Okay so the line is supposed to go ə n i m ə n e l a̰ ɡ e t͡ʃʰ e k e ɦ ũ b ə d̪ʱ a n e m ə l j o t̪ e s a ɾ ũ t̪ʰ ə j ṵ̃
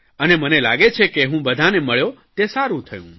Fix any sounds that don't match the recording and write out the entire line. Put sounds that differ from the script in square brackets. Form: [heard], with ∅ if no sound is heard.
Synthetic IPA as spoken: ə n [e] m ə n e l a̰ ɡ e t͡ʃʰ e k e ɦ ũ b ə d̪ʱ a n e m ə [ɭ] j o t̪ e s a ɾ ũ t̪ʰ ə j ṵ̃